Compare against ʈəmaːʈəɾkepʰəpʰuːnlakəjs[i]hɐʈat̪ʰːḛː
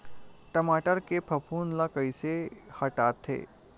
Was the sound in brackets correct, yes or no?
no